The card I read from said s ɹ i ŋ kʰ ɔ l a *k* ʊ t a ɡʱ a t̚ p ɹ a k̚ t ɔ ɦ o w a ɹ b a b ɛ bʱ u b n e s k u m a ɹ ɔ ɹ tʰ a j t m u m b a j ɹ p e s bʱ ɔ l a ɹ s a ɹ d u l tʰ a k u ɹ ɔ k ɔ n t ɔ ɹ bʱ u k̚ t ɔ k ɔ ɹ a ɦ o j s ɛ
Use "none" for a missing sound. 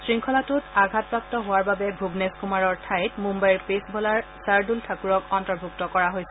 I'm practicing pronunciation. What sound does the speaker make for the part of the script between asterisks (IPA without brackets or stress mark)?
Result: t